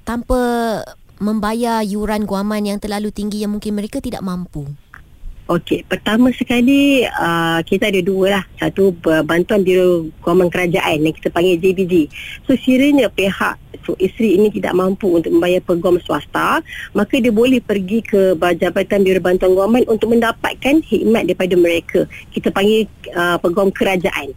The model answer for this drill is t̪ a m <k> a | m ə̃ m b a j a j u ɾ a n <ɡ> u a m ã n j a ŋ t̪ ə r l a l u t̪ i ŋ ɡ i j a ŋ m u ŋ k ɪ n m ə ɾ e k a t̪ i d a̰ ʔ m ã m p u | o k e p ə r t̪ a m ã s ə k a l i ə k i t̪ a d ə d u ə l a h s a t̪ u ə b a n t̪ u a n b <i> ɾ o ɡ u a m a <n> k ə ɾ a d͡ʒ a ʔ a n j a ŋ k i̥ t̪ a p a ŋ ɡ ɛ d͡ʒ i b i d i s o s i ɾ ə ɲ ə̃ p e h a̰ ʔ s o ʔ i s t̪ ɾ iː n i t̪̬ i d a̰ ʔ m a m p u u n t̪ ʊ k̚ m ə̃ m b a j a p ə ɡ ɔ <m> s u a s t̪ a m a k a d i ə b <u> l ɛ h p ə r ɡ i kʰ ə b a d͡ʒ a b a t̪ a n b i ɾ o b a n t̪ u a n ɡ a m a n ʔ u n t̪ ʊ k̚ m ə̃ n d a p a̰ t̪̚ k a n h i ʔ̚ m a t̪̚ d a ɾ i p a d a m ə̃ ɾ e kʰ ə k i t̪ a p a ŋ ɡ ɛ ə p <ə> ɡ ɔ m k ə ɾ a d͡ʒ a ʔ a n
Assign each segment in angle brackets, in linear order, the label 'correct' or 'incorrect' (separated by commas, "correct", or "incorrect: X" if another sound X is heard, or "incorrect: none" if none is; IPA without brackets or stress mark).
incorrect: p, correct, correct, correct, correct, incorrect: o, correct